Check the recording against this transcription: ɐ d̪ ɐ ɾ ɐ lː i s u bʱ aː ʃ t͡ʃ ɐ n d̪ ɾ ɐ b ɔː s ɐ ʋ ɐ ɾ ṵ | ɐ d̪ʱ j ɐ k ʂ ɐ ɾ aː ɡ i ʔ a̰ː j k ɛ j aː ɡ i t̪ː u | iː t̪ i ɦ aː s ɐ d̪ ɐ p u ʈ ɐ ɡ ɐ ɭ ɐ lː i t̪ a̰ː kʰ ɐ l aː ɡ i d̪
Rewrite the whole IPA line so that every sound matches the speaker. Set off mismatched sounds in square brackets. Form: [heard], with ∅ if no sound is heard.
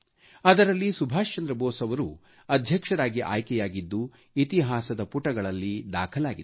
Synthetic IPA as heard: ɐ d̪ ɐ ɾ ɐ lː i s u bʱ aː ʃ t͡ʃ ɐ n d̪ ɾ ɐ b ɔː s ɐ ʋ ɐ ɾ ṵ | ɐ d̪ʱ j ɐ k ʂ ɐ ɾ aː ɡ i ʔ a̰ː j k ɛ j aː ɡ i [d̪ː] u | [i] t̪ i ɦ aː s ɐ d̪ ɐ p u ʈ ɐ ɡ ɐ ɭ ɐ lː i [d̪] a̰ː kʰ ɐ l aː ɡ i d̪